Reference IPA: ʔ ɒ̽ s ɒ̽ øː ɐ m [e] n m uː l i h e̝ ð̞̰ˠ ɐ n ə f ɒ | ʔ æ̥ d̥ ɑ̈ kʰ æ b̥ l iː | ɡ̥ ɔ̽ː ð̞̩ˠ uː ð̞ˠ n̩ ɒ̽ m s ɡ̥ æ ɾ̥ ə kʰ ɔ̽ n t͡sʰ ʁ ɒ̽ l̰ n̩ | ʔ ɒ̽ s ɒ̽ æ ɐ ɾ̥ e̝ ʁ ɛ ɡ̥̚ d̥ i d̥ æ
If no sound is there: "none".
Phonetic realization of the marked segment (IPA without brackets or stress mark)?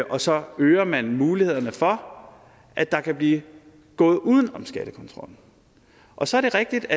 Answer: æ